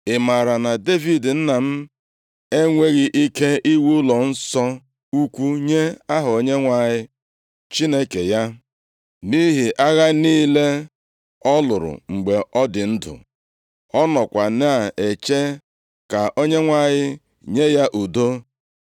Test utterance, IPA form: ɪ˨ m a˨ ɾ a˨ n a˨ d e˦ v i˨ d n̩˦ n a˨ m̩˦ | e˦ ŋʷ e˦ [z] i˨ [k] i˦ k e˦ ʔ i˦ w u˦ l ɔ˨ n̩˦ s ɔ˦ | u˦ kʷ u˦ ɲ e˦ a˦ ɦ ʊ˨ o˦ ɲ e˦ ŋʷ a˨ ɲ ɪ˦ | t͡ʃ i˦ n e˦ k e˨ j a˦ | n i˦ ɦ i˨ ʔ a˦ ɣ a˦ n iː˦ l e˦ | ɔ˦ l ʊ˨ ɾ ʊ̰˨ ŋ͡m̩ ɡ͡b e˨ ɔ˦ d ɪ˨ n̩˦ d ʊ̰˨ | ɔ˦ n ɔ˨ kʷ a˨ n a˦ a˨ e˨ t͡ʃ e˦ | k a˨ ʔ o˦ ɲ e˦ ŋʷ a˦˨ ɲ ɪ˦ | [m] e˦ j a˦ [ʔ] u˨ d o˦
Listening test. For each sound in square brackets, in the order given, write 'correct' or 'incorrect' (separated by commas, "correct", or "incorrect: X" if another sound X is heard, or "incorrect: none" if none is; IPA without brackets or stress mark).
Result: incorrect: ɣ, incorrect: ʔ, incorrect: ɲ, correct